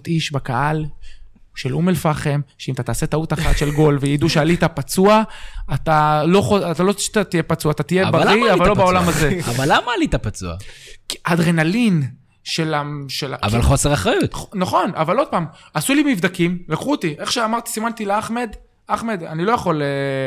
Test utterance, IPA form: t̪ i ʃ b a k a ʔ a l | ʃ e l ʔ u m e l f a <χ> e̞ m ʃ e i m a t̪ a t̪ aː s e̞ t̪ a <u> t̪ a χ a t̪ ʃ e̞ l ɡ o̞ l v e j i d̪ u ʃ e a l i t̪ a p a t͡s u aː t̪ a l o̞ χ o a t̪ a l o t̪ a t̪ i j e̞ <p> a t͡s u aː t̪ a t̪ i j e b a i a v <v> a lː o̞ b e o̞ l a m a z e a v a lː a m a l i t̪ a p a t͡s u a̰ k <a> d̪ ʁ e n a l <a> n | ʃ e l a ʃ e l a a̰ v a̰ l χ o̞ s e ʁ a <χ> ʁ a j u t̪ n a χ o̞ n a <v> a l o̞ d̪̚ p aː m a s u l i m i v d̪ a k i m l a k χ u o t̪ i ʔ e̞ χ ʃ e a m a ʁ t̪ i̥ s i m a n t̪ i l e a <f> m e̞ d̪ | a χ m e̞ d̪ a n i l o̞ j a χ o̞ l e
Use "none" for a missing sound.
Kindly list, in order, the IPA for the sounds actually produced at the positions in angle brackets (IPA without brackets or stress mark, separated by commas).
χ, u, p, v, a, i, χ, v, χ